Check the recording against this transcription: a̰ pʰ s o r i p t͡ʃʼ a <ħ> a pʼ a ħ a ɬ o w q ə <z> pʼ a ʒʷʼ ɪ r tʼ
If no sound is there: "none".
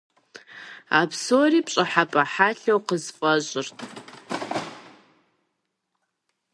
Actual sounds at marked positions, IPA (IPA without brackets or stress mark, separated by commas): ħ, z